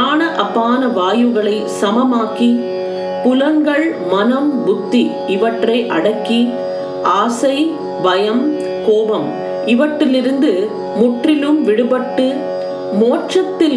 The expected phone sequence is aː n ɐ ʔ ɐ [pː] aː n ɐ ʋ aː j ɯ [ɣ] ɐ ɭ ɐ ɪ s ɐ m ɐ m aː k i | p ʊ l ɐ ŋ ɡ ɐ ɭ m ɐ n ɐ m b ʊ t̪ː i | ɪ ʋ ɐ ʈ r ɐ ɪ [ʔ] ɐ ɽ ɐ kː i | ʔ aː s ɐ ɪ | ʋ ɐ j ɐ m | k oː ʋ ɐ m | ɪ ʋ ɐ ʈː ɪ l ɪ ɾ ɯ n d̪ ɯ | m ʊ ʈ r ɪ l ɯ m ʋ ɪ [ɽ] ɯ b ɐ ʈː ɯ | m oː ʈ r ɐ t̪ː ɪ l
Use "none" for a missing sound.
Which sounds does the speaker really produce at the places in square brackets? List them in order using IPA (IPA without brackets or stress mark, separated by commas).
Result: pː, ɣ, ʔ, ɽ